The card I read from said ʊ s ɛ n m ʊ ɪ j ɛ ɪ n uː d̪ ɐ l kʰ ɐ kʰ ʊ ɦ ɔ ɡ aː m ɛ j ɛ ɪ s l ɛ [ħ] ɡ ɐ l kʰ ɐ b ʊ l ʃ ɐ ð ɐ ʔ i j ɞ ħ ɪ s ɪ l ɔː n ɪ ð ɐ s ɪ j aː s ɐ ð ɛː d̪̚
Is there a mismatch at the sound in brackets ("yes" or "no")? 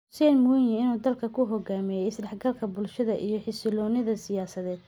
no